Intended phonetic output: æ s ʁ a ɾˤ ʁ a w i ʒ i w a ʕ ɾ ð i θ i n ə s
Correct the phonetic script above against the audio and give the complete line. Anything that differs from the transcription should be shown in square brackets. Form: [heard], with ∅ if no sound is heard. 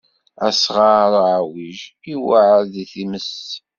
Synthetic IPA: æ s ʁ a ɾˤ [ʕ] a w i ʒ i w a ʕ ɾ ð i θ i [m] ə s